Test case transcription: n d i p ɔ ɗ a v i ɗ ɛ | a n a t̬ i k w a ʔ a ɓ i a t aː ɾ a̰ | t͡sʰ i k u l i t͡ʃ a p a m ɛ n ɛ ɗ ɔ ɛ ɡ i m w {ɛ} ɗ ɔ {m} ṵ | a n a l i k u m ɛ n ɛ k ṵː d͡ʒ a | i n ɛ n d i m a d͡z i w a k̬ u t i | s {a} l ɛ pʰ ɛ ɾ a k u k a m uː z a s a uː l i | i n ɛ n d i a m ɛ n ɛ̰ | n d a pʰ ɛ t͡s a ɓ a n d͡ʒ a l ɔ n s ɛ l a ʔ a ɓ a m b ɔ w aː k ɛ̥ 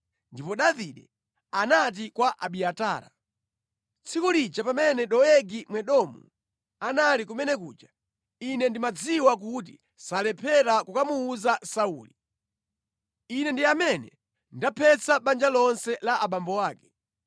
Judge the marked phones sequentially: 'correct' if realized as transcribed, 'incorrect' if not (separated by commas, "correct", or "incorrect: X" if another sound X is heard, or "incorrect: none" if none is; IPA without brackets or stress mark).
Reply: correct, correct, correct